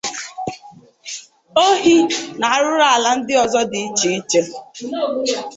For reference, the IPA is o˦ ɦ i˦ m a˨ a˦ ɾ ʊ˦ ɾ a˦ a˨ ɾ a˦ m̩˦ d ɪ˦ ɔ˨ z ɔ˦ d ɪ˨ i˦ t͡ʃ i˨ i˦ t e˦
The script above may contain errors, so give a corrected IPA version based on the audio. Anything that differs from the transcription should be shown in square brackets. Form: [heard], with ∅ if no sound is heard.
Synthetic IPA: o˦ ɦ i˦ [n] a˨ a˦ ɾ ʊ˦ ɾ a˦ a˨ [l] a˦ [n̩˦] d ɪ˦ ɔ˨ z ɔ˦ d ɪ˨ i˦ t͡ʃ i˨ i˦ [t͡ʃ] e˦

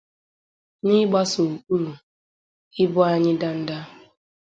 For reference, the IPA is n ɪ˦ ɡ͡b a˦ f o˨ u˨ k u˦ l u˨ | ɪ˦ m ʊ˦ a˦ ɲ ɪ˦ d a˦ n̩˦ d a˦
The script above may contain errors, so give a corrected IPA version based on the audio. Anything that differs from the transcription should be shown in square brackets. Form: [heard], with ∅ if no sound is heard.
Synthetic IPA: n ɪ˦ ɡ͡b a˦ [s] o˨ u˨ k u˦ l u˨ | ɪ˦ [b] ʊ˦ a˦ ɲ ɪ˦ d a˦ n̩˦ d a˦

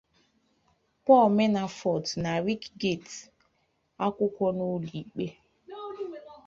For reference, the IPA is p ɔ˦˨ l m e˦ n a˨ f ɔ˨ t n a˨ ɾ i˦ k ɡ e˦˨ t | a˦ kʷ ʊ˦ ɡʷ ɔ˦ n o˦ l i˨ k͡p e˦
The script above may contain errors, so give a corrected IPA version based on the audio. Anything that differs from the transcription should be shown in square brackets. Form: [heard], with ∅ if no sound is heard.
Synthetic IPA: p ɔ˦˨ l m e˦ n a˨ f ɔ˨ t n a˨ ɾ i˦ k ɡ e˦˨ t | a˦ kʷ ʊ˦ [kʷ] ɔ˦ n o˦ l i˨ k͡p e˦

